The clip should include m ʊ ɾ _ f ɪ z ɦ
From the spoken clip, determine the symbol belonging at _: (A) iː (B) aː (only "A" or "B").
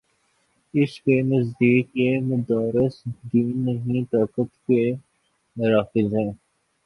B